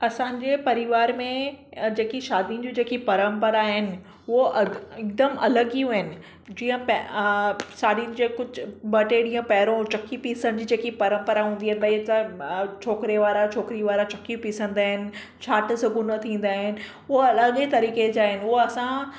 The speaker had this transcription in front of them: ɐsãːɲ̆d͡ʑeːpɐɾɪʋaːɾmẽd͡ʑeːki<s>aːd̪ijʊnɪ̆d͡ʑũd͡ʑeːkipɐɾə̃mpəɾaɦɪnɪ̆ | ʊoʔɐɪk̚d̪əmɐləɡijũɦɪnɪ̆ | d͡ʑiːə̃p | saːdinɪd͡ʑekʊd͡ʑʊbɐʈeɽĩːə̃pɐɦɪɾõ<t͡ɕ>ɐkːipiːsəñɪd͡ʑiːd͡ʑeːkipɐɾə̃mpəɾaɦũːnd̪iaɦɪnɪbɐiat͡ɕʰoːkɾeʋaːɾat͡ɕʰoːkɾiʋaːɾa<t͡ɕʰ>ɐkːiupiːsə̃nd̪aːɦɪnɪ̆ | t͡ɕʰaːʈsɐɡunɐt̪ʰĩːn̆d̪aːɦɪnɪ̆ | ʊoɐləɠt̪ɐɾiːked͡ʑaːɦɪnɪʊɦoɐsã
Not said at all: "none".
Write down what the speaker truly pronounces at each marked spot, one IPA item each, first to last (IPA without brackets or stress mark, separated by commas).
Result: ʃ, t͡ɕ, t͡ɕ